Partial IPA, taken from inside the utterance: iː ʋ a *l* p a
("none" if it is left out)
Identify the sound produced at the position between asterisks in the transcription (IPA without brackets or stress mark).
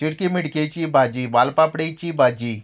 l